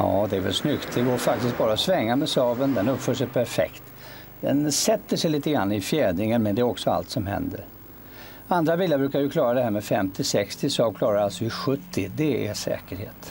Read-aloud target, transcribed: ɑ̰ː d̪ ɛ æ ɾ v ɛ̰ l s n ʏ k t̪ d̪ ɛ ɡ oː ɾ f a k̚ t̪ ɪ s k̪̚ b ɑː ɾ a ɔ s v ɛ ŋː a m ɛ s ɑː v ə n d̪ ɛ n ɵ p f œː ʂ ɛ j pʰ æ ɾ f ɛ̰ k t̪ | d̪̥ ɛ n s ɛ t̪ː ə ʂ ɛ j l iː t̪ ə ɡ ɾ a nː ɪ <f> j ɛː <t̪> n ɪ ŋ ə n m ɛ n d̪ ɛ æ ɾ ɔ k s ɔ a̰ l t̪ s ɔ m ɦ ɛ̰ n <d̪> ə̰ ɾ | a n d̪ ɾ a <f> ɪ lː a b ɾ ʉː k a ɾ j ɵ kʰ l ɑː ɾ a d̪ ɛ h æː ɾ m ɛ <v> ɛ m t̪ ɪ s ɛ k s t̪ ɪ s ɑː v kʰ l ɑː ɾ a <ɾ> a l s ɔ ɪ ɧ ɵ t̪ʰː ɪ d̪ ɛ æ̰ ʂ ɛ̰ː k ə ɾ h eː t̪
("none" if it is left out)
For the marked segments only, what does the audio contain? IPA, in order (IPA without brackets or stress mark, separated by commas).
f, d̪, d̪, v, f, ɾ